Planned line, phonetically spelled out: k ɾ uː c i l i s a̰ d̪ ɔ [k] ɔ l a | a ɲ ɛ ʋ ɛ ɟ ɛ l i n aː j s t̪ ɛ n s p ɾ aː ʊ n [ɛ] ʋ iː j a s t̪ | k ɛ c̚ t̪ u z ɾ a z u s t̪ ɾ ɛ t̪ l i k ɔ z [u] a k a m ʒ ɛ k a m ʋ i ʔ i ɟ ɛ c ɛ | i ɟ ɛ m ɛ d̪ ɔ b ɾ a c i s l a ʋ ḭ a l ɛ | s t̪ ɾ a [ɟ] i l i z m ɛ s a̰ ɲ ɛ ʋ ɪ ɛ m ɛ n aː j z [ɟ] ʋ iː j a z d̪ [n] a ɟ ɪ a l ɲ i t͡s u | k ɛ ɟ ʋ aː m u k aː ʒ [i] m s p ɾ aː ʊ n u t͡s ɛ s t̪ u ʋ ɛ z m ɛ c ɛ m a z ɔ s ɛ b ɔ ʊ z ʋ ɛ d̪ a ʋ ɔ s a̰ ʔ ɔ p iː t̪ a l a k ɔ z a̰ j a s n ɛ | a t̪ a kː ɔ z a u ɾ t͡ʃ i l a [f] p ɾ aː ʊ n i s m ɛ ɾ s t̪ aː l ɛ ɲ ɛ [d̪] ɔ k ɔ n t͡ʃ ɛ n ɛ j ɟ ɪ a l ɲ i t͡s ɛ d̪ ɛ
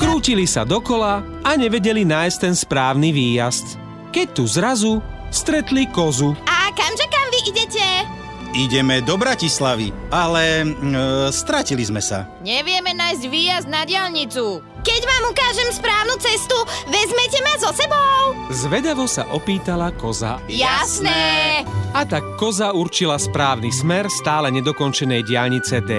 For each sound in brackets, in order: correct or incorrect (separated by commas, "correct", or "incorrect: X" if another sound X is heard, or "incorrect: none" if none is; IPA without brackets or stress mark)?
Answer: correct, incorrect: i, correct, incorrect: c, correct, correct, incorrect: ɛ, incorrect: s, correct